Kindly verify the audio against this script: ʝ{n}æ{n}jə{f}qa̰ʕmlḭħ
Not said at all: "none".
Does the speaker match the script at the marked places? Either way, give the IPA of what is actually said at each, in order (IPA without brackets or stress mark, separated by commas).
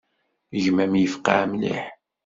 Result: m, m, f